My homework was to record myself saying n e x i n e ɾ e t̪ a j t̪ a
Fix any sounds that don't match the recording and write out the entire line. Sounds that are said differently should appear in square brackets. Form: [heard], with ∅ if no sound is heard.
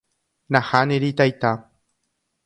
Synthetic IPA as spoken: n [a] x [a] n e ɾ [i] t̪ a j t̪ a

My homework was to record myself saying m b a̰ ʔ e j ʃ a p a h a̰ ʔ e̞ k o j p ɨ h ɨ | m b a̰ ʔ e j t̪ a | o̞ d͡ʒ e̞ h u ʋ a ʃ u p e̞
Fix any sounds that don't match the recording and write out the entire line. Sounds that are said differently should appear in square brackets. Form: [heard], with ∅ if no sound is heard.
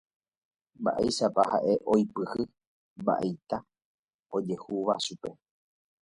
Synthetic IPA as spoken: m b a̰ ʔ e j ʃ a p a h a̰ ʔ e̞ [ʔ] o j p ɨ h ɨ | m b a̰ ʔ e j t̪ a | o̞ d͡ʒ e̞ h u ʋ a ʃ u p e̞

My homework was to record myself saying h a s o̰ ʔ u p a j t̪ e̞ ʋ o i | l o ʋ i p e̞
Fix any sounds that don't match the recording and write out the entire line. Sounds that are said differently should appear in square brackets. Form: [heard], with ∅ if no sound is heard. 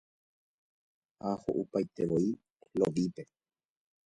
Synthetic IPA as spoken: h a [h] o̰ ʔ u p a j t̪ e̞ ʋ o i | l o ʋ i p e̞

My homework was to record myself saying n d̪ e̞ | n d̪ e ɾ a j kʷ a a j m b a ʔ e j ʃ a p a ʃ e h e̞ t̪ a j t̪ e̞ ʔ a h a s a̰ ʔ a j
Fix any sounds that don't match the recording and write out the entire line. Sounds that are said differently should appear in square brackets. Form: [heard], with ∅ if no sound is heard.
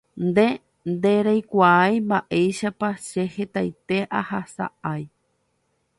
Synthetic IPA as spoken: n d̪ e̞ | n d̪ e ɾ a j kʷ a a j m b a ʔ e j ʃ a p a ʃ e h e̞ t̪ a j t̪ e̞ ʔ a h a s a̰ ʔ a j

